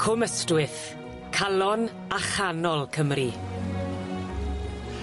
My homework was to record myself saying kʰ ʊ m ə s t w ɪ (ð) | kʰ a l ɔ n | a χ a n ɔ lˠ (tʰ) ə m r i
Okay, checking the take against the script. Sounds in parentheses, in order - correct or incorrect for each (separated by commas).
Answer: incorrect, incorrect